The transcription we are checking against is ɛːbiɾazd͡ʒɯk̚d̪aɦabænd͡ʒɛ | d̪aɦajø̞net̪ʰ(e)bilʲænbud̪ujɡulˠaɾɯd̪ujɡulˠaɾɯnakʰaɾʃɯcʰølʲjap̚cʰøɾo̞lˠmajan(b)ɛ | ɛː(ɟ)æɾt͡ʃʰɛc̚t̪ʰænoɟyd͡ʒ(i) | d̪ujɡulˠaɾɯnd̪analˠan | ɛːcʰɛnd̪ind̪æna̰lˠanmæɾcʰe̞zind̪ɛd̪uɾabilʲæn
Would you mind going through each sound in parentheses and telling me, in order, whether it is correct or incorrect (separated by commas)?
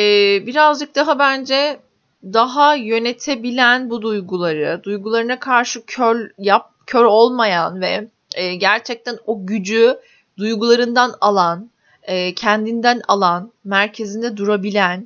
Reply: correct, incorrect, correct, incorrect